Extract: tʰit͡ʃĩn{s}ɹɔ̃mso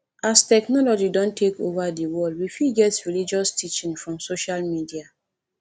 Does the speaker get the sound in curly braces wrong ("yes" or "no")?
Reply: yes